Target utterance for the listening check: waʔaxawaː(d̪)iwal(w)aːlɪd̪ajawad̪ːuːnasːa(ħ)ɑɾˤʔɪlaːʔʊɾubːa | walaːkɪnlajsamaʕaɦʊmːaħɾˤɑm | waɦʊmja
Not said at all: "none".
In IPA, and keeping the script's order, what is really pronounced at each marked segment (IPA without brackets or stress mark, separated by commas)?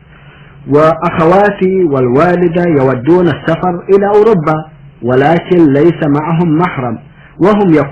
t̪, w, f